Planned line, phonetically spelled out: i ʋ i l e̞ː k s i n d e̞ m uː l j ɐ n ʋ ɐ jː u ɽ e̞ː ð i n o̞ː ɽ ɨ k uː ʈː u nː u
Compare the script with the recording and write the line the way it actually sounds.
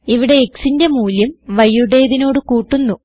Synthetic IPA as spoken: i ʋ i ɽ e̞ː k s i n d e̞ m uː l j ɐ m ʋ ɐ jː u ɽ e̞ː ð i n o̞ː ɽ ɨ k uː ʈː u nː u